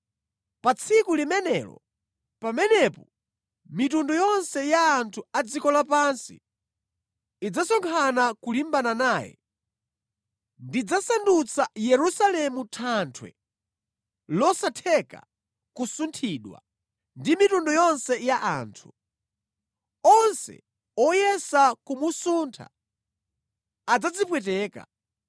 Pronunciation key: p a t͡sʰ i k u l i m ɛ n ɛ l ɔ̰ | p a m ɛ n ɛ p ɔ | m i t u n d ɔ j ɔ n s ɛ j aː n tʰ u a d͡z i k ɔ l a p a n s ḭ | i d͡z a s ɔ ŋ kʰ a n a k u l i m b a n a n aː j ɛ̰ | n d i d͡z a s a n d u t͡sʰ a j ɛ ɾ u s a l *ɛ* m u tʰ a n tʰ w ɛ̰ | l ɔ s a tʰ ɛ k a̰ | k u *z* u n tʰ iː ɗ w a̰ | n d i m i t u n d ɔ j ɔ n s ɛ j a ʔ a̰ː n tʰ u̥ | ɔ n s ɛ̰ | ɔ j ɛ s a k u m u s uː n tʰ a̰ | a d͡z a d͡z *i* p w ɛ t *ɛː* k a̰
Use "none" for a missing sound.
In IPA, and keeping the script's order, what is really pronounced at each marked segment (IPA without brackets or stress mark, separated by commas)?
ɛ, s, i, ɛː